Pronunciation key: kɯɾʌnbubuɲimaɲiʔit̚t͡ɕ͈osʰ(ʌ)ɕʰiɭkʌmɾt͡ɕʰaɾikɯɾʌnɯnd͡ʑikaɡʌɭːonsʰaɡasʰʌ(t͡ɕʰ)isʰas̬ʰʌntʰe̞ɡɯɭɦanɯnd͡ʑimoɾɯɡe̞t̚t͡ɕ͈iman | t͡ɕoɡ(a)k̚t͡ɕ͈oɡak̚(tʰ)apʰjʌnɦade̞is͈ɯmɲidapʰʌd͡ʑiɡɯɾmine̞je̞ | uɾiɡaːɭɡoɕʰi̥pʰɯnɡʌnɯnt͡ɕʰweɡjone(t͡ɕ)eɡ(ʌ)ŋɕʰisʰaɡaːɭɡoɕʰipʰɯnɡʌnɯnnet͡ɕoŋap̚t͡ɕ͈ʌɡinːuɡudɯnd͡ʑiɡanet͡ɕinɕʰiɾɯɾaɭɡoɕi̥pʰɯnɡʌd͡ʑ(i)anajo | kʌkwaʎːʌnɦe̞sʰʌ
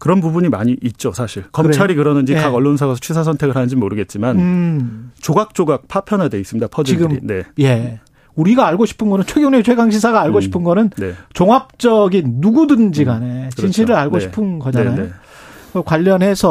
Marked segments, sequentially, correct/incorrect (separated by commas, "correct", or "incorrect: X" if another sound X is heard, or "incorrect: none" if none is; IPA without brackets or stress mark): incorrect: a, correct, correct, incorrect: pʰ, incorrect: t͡ɕʰ, incorrect: a, incorrect: a